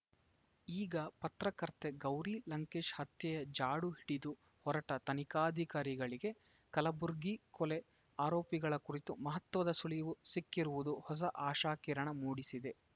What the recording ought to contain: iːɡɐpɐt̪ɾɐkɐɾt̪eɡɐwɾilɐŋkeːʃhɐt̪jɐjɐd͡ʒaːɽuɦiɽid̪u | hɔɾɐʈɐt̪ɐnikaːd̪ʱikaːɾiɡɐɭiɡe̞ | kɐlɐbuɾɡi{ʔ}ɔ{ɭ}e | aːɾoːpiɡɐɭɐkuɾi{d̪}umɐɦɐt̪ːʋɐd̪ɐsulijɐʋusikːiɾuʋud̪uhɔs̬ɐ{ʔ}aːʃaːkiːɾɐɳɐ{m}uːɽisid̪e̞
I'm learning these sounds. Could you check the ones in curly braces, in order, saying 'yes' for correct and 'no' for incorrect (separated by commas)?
no, no, no, yes, yes